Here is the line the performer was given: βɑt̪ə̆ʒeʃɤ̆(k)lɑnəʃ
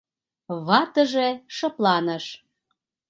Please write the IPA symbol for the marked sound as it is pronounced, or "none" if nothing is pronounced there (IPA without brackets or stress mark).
p